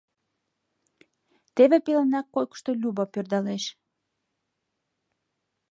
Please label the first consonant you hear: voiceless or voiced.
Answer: voiceless